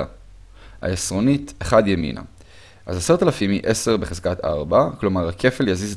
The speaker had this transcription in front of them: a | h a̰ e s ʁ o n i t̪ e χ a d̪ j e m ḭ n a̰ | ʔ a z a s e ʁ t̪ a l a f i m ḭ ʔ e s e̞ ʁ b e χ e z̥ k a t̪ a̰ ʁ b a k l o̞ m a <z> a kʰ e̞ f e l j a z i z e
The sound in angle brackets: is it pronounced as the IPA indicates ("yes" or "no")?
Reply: no